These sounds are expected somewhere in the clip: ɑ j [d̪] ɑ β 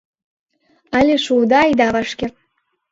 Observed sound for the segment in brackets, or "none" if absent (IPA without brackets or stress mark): d̪